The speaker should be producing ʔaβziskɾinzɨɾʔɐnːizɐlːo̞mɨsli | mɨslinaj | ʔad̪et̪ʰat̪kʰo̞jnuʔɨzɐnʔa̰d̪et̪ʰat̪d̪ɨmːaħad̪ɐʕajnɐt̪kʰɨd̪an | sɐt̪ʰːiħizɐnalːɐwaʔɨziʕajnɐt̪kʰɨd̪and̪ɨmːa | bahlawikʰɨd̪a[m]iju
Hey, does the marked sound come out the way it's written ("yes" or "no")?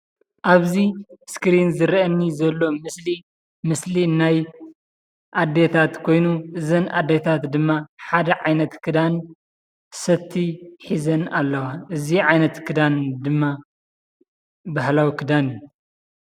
no